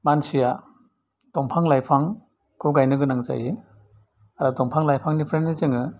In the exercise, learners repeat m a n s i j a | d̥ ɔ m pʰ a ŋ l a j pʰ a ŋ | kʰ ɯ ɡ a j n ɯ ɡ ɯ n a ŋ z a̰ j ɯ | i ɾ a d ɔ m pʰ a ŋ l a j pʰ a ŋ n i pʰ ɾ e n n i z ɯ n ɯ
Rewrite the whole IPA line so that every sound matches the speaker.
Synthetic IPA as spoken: m a n s i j a | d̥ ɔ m pʰ a ŋ l a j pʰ a ŋ | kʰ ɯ ɡ a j n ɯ ɡ ɯ n a ŋ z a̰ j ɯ | a ɾ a d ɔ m pʰ a ŋ l a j pʰ a ŋ n i pʰ ɾ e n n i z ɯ ŋ ɯ